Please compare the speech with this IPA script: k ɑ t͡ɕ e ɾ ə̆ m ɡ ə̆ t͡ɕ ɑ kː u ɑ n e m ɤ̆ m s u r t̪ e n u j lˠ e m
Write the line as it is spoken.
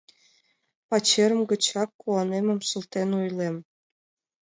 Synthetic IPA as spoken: p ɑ t͡ɕ e ɾ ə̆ m ɡ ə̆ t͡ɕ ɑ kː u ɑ n e m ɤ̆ m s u l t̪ e n u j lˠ e m